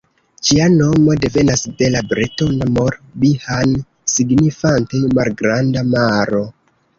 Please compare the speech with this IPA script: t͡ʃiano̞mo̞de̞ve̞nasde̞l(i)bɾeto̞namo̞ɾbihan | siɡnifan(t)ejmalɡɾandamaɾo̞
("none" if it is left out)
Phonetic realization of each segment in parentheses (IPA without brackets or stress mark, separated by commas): a, t